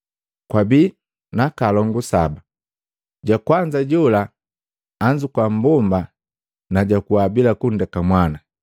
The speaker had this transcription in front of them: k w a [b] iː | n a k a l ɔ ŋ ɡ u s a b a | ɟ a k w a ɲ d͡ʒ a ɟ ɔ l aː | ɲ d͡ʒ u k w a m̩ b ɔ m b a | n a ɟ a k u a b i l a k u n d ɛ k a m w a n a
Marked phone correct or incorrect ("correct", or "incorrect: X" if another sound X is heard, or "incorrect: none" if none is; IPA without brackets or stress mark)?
correct